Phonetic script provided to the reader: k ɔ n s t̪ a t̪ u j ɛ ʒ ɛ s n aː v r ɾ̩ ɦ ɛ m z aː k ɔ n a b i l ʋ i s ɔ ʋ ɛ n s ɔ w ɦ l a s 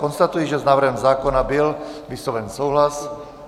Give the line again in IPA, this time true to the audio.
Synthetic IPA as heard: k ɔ n s t̪ a t̪ u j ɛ ʒ ɛ z n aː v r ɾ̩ ɦ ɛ m z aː k ɔ n a b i l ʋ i s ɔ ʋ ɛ n s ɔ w ɦ l a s